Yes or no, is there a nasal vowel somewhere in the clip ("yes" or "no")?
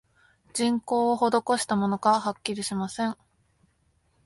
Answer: yes